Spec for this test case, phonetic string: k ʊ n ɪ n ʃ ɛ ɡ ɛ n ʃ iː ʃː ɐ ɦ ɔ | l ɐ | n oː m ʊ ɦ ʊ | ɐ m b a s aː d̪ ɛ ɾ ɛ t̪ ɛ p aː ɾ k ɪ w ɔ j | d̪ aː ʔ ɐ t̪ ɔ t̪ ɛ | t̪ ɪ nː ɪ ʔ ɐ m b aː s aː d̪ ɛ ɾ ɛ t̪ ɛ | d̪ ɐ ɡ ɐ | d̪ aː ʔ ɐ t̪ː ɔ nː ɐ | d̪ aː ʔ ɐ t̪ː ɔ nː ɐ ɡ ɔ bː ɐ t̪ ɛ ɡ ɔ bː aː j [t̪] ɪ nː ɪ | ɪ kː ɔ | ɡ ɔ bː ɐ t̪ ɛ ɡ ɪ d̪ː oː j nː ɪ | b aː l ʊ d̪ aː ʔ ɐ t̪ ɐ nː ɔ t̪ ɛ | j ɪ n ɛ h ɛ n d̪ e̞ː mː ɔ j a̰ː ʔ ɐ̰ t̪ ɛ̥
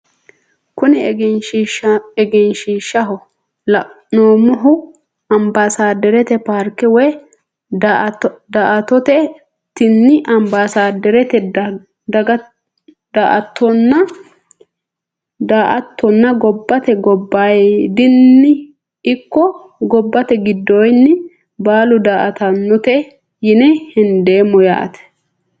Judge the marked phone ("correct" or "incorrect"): incorrect